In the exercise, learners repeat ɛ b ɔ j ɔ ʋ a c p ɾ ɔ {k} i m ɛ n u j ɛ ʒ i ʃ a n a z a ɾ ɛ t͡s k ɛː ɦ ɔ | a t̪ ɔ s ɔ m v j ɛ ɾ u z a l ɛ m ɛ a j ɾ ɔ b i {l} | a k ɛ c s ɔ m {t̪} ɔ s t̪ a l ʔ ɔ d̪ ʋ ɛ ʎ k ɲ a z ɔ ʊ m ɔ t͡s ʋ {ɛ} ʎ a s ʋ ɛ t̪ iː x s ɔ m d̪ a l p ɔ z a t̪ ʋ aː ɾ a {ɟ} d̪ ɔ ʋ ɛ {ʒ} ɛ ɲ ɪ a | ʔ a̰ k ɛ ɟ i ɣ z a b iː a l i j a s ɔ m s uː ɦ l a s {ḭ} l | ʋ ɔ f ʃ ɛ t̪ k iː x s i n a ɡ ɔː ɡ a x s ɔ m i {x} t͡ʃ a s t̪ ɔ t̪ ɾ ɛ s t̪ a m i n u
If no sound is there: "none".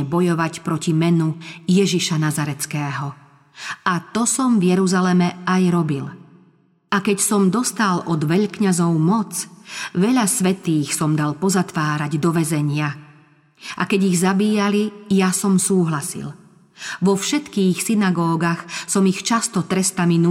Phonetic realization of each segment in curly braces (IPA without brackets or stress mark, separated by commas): c, l, d̪, ɛ, ɟ, z, ḭ, x